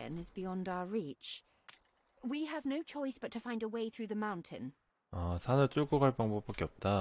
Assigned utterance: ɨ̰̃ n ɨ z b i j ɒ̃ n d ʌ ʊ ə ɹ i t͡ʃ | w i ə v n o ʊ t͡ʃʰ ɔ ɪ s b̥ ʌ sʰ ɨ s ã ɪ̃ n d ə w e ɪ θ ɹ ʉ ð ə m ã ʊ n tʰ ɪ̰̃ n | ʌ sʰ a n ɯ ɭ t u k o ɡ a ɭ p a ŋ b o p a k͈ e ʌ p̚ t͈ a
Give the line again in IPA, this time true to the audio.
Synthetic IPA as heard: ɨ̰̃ n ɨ z b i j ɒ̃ n d a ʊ ə ɹ i t͡ʃ | w i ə v n o ʊ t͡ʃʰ ɔ ɪ s b̥ ʌ tʰ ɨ f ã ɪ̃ n d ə w e ɪ θ ɹ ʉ ð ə m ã ʊ̃ n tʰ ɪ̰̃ n | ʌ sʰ a n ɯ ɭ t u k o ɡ a ɭ p a ŋ b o p a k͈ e ʌ p̚ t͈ a